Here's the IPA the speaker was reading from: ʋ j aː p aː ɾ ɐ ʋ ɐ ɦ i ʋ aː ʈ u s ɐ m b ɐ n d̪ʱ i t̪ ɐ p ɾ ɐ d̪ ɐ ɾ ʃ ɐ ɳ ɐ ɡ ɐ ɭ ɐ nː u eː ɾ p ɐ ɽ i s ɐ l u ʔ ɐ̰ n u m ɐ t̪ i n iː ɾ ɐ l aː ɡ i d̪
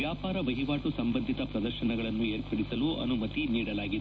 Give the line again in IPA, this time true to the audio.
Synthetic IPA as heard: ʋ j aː p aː ɾ ɐ ʋ ɐ ɦ i ʋ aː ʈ u s ɐ m b ɐ n d̪ʱ i t̪ ɐ p ɾ ɐ d̪ ɐ ɾ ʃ ɐ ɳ ɐ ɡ ɐ ɭ ɐ nː u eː ɾ p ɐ ɽ i s ɐ l u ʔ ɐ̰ n u m ɐ t̪ i n iː ɽ ɐ l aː ɡ i d̪